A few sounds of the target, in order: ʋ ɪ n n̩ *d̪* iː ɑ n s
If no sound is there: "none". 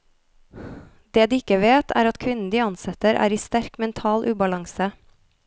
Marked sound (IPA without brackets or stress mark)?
d̪